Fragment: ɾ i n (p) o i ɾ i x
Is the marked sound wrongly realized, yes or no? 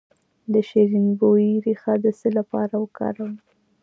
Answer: yes